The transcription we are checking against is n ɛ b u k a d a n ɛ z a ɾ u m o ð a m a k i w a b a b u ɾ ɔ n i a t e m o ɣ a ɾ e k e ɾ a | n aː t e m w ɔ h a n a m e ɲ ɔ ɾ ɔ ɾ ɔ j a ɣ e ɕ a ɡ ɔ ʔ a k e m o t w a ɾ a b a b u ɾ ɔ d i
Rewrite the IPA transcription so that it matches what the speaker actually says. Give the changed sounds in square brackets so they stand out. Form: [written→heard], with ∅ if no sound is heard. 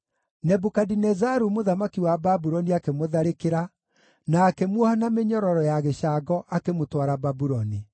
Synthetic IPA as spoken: n ɛ b u k a d [a→i] n ɛ z a ɾ u m o ð a m a k i w a b a b u ɾ ɔ n i a [t→k] e m o [ɣ→ð] a ɾ e k e ɾ a | n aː [t→k] e m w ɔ h a n a m e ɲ ɔ ɾ ɔ ɾ ɔ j a ɣ e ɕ a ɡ ɔ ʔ a k e m o t w a ɾ a b a b u ɾ ɔ [d→n] i

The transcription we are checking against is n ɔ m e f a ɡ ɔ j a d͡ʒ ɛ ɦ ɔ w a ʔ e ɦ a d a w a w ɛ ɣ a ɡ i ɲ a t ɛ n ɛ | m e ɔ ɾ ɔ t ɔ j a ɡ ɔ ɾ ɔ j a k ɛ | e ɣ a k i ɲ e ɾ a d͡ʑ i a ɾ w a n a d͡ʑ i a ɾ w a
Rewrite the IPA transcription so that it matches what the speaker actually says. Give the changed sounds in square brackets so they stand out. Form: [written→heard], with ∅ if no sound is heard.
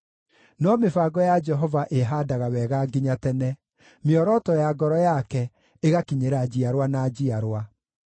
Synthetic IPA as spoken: n ɔ m e f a ɡ ɔ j a d͡ʒ ɛ ɦ ɔ [w→v] a ʔ e ɦ a d a [w→ɣ] a w ɛ ɣ a ɡ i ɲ a t ɛ n ɛ | m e ɔ ɾ ɔ t ɔ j a ɡ ɔ ɾ ɔ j a k ɛ | e ɣ a k i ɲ e ɾ a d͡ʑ i a ɾ w a n a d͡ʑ i a ɾ w a

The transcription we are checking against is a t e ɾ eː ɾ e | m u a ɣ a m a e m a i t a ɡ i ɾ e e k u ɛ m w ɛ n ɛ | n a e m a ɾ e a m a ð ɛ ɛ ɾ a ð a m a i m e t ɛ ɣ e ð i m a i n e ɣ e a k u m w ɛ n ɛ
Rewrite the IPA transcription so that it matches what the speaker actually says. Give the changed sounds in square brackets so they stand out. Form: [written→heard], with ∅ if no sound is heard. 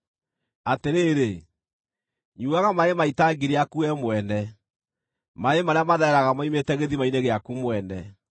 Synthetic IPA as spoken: a t e ɾ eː ɾ e | [m→ɲ] u a ɣ a m a e m a i t a ɡ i ɾ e [e→a] k u ɛ m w ɛ n ɛ | [n→m] a e m a ɾ e a m a ð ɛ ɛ ɾ a [ð→ɣ] a m a i m e t ɛ ɣ e ð i m a i n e ɣ e a k u m w ɛ n ɛ

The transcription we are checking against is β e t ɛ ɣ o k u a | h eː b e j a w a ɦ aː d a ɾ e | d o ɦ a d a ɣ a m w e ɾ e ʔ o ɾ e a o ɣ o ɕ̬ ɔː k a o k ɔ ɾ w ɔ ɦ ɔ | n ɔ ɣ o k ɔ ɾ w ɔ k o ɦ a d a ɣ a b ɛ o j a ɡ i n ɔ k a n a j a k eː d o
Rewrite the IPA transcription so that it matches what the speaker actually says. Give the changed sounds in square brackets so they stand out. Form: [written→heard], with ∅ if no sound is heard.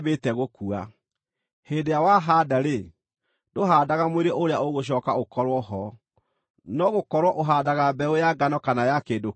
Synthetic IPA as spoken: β e t ɛ ɣ o k u a | h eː [b→d] e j a w a ɦ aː d a ɾ e | d o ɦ a d a ɣ a m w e ɾ e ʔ o ɾ e a o ɣ o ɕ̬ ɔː k a o k ɔ ɾ w ɔ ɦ ɔ | n ɔ ɣ o k ɔ ɾ w ɔ [k→ʔ] o ɦ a d a ɣ a b ɛ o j a ɡ [i→a] n ɔ k a n a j a k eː d o

